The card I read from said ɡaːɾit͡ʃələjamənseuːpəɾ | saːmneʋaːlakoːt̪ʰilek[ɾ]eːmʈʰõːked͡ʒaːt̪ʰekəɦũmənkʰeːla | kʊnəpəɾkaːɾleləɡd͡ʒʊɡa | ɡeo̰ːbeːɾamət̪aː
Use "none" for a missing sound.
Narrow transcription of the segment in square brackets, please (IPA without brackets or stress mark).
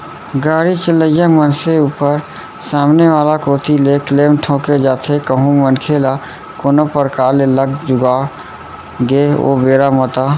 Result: l